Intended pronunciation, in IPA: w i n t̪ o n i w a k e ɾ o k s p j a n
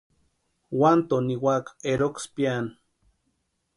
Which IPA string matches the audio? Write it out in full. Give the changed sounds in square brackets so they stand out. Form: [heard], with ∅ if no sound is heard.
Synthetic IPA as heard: w [a] n t̪ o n i w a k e ɾ o k s p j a n